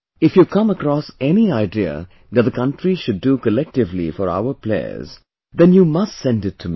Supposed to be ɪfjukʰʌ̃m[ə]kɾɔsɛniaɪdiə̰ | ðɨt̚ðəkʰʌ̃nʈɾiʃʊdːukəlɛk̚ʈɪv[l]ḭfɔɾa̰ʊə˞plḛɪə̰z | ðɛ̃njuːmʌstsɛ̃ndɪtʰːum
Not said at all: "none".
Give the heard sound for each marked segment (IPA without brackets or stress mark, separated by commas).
ə, l